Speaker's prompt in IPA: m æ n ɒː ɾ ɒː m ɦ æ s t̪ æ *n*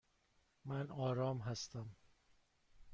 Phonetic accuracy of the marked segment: incorrect: m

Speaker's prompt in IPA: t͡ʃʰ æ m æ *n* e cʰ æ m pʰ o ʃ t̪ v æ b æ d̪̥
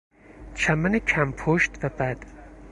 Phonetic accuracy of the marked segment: correct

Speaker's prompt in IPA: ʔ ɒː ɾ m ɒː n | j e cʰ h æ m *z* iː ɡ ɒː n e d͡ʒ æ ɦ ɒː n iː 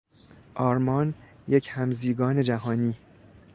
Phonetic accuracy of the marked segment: correct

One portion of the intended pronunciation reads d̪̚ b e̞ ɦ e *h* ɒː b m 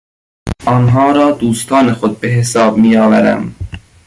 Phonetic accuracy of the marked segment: incorrect: s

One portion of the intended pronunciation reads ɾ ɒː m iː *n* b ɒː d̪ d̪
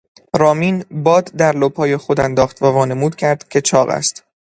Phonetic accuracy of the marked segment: correct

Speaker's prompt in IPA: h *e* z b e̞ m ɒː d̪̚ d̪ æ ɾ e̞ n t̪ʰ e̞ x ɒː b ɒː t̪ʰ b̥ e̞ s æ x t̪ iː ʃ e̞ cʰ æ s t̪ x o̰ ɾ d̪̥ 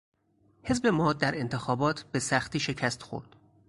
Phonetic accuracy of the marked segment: correct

